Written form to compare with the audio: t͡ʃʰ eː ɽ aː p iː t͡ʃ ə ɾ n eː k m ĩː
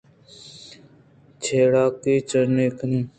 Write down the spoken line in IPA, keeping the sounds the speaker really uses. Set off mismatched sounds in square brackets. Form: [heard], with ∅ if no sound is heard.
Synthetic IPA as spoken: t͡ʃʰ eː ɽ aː [k] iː t͡ʃ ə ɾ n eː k [n] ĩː